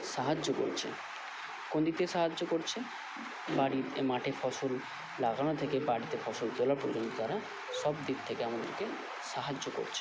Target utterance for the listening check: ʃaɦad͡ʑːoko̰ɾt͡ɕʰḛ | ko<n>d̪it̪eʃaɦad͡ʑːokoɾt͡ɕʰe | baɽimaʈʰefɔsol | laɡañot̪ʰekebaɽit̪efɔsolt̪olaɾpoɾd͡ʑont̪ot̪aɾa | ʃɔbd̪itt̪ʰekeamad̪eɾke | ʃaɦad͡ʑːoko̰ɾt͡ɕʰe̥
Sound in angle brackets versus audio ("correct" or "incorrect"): correct